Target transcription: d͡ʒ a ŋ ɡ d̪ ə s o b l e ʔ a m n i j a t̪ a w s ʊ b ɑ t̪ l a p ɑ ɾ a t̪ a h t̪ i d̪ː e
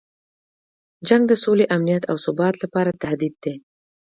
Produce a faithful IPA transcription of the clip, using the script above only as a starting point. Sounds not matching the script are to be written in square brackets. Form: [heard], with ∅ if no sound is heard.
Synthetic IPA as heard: d͡ʒ a ŋ ɡ d̪ ə s o [∅] l e ʔ a m n i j a t̪ a w s ʊ b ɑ t̪ l a p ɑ ɾ a t̪ a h [d̪] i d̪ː e